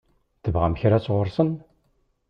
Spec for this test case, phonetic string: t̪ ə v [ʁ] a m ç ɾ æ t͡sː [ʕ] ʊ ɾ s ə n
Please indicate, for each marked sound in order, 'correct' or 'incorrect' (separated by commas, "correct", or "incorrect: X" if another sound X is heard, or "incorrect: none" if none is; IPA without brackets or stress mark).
correct, incorrect: ʁ